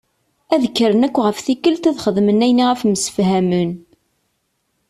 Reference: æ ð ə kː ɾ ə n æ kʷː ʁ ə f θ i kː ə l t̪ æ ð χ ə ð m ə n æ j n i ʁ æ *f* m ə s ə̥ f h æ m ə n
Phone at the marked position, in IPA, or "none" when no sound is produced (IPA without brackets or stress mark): f